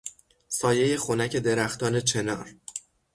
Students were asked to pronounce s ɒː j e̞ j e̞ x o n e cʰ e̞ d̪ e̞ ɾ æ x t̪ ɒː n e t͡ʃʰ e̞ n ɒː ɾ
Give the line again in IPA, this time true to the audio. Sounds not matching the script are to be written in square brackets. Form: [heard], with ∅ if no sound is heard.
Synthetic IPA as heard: s ɒː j e̞ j e̞ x o n [æ] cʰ e̞ d̪ e̞ ɾ æ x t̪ ɒː n e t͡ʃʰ e̞ n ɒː ɾ

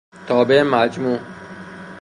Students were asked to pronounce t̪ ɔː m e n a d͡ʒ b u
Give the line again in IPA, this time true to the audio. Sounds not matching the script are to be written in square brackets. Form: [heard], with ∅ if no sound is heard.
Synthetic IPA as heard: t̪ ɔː [b] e [m] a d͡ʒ [m] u

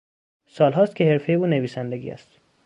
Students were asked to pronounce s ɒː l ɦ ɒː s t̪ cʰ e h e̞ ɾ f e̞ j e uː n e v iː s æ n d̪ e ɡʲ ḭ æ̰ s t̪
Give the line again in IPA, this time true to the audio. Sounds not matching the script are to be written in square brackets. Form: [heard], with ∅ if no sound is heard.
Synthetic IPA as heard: s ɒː l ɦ ɒː s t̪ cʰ e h e̞ ɾ f e̞ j e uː n e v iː s æ n d̪ e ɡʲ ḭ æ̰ s t̪

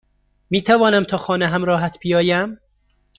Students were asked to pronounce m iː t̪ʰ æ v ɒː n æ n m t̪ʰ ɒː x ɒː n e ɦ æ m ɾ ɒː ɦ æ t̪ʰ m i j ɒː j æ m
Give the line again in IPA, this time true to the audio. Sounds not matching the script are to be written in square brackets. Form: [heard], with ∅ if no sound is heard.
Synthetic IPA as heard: m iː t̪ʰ æ v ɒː n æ [∅] m t̪ʰ ɒː x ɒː n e ɦ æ m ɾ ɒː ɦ æ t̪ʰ [b] i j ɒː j æ m

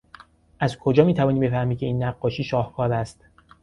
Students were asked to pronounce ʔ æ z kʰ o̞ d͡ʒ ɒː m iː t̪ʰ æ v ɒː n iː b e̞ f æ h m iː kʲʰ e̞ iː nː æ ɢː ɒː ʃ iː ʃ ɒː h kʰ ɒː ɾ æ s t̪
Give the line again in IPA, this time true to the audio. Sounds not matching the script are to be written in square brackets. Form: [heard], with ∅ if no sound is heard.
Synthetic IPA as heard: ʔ æ z kʰ o̞ d͡ʒ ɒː m iː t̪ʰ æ v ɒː n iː b e̞ f æ h m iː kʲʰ e̞ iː nː æ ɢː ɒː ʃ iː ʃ ɒː h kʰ ɒː ɾ æ s t̪

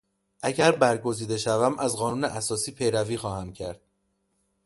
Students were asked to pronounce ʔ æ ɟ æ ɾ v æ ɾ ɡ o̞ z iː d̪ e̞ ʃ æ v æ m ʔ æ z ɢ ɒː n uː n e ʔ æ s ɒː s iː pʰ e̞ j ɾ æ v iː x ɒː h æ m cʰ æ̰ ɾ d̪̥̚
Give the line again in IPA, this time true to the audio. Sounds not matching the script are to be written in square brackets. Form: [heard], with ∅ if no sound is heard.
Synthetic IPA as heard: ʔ æ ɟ æ ɾ [b] æ ɾ ɡ o̞ z iː d̪ e̞ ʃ æ v æ m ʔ æ z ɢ ɒː n uː n e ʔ æ s ɒː s iː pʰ e̞ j ɾ æ v iː x ɒː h æ m cʰ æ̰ ɾ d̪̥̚

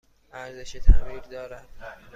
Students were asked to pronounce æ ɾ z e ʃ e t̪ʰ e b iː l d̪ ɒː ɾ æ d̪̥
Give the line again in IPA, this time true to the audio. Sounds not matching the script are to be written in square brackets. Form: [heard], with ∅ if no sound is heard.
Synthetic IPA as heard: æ ɾ z e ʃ e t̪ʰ [æ] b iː [ɾ] d̪ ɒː ɾ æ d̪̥

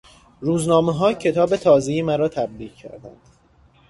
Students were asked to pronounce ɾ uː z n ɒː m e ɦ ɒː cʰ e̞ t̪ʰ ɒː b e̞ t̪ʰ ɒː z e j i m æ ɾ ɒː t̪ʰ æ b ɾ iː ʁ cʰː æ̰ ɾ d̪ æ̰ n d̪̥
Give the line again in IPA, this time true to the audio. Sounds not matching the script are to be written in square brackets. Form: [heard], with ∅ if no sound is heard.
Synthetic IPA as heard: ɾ uː z n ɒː m e ɦ ɒː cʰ e̞ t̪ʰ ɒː b e̞ t̪ʰ ɒː z e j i m æ ɾ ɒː t̪ʰ æ b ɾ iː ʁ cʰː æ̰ ɾ d̪ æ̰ n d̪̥

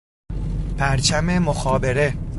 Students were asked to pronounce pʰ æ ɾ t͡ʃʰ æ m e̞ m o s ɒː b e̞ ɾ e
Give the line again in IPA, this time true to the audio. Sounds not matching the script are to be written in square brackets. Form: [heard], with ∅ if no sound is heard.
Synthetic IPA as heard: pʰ æ ɾ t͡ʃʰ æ m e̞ m o [x] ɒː b e̞ ɾ e

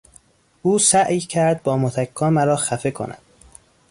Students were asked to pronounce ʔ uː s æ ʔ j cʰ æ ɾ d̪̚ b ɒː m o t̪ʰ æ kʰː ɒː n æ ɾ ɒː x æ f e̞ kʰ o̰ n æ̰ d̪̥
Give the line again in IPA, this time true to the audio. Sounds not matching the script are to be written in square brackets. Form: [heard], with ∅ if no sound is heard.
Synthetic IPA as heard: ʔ uː s æ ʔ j cʰ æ ɾ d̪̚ b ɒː m o t̪ʰ æ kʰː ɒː [m] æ ɾ ɒː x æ f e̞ kʰ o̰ n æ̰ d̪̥

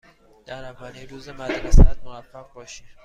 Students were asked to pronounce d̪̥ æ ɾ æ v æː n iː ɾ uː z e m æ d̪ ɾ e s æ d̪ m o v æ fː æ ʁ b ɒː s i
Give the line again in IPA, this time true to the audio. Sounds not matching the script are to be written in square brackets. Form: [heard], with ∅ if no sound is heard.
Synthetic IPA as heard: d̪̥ æ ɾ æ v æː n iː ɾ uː z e m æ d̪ ɾ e s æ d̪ m o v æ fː æ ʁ b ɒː [ʃ] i

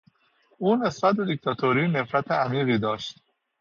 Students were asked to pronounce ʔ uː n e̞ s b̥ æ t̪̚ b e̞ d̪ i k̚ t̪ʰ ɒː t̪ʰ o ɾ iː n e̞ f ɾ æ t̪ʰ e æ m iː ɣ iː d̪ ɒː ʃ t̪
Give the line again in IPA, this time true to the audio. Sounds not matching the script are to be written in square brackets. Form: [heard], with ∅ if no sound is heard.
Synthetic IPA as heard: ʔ uː n e̞ s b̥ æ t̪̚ b e̞ d̪ i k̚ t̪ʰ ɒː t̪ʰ o ɾ iː n e̞ f ɾ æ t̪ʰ e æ m iː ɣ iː d̪ ɒː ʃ t̪

